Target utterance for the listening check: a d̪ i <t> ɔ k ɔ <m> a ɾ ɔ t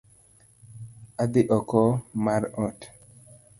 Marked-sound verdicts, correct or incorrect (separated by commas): incorrect, correct